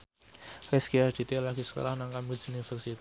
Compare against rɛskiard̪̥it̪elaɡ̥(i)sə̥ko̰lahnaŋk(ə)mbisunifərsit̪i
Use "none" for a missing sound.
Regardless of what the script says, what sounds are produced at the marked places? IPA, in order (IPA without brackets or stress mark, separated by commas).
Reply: i, a